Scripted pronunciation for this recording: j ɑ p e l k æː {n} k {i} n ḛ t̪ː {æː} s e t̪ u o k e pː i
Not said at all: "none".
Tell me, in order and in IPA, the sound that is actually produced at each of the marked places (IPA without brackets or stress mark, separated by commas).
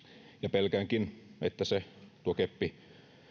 ŋ, i, æ